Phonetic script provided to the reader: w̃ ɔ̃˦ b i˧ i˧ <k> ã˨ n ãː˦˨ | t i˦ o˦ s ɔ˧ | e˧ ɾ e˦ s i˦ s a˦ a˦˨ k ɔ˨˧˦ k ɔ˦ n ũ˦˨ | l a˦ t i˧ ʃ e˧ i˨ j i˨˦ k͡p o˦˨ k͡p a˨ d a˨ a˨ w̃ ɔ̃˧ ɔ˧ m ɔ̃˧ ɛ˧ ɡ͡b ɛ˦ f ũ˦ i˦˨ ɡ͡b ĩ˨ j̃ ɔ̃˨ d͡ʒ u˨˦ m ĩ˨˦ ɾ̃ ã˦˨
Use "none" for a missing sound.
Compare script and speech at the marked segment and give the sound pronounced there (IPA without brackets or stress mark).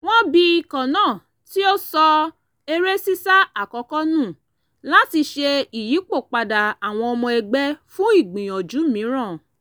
k